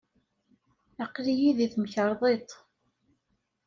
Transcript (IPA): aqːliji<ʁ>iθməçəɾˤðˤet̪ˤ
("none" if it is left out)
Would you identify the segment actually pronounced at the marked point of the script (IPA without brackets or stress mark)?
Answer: ð